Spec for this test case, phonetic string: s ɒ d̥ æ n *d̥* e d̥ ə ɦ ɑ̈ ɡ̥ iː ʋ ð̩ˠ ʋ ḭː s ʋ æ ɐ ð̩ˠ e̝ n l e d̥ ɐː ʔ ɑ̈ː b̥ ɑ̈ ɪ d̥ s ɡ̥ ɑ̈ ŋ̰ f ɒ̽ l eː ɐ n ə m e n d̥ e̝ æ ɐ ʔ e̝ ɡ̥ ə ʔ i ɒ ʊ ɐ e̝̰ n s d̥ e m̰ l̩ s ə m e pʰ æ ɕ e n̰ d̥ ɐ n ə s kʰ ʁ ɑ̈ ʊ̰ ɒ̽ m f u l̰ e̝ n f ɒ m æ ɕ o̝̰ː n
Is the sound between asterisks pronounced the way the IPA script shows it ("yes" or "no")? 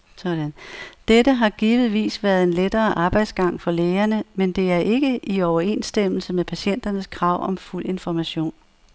yes